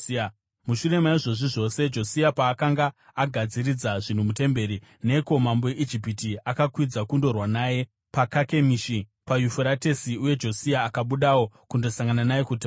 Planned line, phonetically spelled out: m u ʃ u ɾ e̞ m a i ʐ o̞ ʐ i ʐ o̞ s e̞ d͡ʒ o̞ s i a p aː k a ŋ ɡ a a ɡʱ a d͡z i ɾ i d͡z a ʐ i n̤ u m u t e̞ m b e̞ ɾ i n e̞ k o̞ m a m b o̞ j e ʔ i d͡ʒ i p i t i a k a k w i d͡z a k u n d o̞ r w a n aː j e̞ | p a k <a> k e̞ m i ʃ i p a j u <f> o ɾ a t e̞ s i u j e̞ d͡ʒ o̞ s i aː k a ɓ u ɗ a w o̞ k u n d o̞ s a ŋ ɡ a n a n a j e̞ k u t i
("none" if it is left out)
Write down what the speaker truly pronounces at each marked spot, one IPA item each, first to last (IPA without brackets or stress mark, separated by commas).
a, f